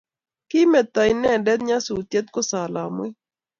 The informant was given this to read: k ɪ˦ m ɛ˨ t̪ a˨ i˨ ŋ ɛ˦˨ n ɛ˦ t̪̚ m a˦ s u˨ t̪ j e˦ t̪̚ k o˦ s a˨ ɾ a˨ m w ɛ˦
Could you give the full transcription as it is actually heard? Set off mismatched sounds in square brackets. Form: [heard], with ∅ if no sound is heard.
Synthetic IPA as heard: k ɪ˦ m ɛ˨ t̪ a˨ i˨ [n] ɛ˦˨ [d] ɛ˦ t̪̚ [ɲ] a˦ s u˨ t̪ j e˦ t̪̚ k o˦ s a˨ [l] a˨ m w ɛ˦